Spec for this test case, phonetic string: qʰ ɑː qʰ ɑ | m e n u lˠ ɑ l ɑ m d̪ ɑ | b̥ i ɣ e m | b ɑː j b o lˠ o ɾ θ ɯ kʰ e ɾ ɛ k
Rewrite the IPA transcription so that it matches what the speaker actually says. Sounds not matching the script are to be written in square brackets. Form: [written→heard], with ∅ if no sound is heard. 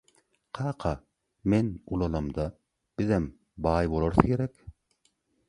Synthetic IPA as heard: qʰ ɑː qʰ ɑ | m e n u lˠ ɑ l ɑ m d̪ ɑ | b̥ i [ɣ→ð] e m | b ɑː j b o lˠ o ɾ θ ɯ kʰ e ɾ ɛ k